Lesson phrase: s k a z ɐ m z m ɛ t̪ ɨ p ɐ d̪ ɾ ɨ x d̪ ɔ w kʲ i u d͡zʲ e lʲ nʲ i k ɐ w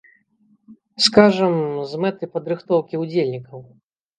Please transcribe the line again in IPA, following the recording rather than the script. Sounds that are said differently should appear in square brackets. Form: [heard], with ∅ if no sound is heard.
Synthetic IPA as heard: s k a [ʐ] ɐ m z m ɛ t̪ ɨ p ɐ d̪ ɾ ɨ x [t̪] ɔ w kʲ i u d͡zʲ e lʲ nʲ i k ɐ w

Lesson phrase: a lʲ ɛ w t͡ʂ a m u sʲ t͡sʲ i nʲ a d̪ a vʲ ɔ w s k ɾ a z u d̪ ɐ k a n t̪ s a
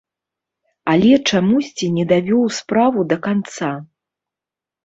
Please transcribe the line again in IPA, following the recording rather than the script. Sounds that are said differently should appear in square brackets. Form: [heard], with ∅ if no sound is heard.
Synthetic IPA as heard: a lʲ ɛ [∅] t͡ʂ a m u sʲ t͡sʲ i nʲ [ɛ] d̪ a vʲ ɔ w s [p] ɾ a [v] u d̪ ɐ k a n t̪ s a

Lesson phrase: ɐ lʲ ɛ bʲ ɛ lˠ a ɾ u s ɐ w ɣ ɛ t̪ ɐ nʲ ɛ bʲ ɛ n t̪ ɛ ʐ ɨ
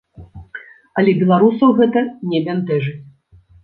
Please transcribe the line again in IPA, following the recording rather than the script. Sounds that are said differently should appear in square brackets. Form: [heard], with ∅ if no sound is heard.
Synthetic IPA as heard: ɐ lʲ ɛ bʲ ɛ lˠ a ɾ u s ɐ w ɣ ɛ t̪ ɐ nʲ ɛ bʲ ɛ n t̪ ɛ ʐ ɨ

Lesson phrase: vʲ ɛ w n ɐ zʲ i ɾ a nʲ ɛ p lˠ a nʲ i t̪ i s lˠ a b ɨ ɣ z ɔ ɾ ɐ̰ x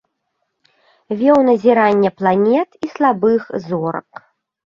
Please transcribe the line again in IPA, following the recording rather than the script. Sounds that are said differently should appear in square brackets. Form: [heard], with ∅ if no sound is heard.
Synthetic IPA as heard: vʲ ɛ w n ɐ zʲ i ɾ a [nʲː] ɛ p lˠ a nʲ [ɛ] t̪ i s lˠ a b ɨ [x] z ɔ ɾ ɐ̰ [k]

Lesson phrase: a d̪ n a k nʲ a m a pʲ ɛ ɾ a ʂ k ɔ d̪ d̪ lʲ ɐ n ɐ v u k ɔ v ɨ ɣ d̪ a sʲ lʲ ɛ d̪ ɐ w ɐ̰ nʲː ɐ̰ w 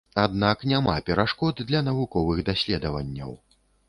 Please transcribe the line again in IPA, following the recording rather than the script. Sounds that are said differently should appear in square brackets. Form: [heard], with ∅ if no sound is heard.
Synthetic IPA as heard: a d̪ n a k nʲ a m a pʲ ɛ ɾ a ʂ k ɔ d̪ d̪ lʲ ɐ n ɐ v u k ɔ v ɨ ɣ d̪ a sʲ lʲ ɛ d̪ ɐ [v] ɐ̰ nʲː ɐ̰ w

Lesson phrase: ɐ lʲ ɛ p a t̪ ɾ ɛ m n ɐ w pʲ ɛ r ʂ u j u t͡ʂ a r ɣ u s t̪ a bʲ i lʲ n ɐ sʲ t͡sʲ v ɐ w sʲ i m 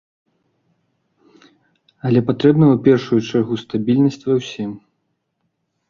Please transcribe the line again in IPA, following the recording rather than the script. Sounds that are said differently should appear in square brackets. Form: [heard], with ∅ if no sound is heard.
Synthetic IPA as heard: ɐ lʲ ɛ p a t̪ ɾ ɛ [b] n ɐ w pʲ ɛ r ʂ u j u t͡ʂ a r ɣ u s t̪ a bʲ i lʲ n ɐ sʲ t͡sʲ v ɐ w sʲ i m

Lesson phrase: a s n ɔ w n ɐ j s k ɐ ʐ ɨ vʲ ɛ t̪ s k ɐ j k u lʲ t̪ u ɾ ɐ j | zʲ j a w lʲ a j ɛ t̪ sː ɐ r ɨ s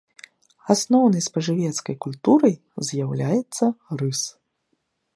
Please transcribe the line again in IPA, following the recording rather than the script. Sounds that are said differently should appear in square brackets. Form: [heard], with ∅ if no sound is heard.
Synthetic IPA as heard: a s n ɔ w n ɐ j s [p] ɐ ʐ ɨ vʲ ɛ t̪ s k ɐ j k u lʲ t̪ u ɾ ɐ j | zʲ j a w lʲ a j ɛ t̪ sː ɐ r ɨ s

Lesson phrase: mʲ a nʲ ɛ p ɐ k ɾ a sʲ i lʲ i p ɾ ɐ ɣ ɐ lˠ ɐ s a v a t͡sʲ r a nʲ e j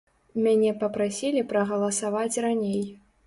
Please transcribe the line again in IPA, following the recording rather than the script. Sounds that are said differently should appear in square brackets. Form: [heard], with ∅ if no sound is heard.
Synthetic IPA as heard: mʲ a nʲ ɛ p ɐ [p] ɾ a sʲ i lʲ i p ɾ ɐ ɣ ɐ lˠ ɐ s a v a t͡sʲ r a nʲ e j

